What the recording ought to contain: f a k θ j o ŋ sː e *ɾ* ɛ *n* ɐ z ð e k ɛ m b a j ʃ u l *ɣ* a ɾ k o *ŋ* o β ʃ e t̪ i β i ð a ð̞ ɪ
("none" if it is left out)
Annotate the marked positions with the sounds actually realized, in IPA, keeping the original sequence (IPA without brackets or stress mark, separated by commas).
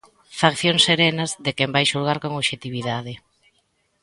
ɾ, n, ɣ, ŋ